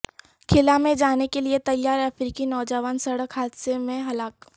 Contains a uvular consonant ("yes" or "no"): no